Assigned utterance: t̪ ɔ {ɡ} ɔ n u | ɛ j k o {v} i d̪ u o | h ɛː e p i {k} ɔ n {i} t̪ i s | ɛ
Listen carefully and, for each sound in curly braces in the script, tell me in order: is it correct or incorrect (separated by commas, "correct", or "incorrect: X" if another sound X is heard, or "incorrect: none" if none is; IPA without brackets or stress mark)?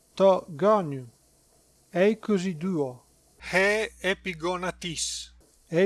correct, incorrect: z, incorrect: ɡ, incorrect: a